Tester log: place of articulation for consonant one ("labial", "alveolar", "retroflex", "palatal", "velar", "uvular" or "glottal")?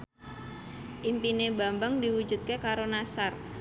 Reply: glottal